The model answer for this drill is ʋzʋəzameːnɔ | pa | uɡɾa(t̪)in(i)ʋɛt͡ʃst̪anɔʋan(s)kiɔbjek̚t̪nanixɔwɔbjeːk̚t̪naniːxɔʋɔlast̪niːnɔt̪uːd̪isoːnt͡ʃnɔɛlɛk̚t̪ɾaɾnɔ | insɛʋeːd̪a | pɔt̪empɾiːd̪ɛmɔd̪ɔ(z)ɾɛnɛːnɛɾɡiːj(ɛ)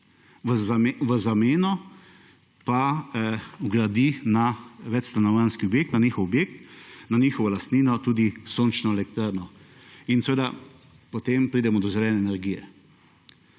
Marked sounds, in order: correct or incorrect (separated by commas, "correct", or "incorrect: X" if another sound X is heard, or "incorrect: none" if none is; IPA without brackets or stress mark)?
incorrect: d̪, incorrect: a, correct, correct, correct